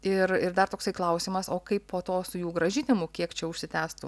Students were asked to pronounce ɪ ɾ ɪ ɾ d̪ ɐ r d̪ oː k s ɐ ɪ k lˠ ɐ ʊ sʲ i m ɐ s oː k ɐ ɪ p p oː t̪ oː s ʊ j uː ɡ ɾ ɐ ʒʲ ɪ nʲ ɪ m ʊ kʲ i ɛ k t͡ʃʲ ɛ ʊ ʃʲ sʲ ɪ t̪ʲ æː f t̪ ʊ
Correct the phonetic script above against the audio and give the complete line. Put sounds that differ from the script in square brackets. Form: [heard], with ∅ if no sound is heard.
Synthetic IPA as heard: ɪ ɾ ɪ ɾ d̪ ɐ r [t̪] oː k s ɐ ɪ k lˠ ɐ ʊ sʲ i m ɐ s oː k ɐ ɪ p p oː t̪ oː s ʊ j uː ɡ ɾ ɐ ʒʲ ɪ nʲ ɪ m ʊ kʲ i ɛ k t͡ʃʲ ɛ ʊ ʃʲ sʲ ɪ t̪ʲ æː [s] t̪ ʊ